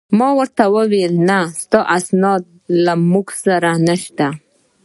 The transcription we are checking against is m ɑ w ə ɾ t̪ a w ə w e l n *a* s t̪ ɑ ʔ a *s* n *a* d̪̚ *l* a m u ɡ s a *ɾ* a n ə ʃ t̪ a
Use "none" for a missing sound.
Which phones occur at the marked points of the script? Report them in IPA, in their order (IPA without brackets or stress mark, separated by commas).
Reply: a, s, ɑ, l, ɾ